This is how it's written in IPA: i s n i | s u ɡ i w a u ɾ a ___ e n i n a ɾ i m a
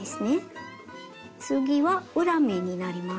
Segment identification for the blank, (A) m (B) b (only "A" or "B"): A